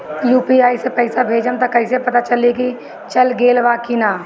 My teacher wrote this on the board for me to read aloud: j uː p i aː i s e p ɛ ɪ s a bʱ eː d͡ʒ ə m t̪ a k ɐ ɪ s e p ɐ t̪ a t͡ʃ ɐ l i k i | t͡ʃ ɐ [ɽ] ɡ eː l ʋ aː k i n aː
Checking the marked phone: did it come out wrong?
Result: yes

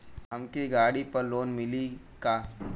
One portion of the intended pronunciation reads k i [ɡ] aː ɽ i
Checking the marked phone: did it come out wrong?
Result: no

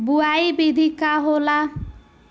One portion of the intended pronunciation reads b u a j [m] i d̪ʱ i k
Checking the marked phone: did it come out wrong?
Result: yes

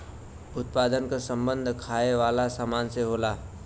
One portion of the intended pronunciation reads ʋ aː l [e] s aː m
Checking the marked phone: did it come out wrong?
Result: yes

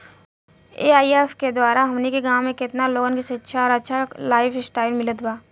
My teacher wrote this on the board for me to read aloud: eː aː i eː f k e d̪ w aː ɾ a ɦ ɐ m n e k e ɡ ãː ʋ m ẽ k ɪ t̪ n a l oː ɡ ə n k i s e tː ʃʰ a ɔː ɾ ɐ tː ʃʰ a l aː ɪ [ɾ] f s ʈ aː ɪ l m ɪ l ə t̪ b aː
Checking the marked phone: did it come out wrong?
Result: yes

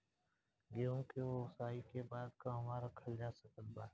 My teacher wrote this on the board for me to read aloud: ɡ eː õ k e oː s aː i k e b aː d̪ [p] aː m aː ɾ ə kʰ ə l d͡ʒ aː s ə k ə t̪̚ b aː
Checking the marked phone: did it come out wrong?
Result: yes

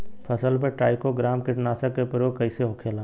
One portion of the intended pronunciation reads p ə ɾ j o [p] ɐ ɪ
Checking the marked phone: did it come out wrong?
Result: yes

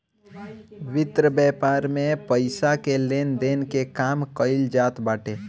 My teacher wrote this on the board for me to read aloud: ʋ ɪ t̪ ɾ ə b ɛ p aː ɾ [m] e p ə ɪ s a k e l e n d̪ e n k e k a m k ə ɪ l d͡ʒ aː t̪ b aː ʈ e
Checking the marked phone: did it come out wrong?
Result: no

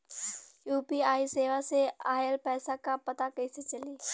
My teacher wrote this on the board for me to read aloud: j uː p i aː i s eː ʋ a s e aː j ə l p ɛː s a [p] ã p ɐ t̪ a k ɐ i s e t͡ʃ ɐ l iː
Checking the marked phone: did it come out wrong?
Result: yes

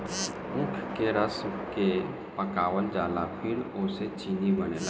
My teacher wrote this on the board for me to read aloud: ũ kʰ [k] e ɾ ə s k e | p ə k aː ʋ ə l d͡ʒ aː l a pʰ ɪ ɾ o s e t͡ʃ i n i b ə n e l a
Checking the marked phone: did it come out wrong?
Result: no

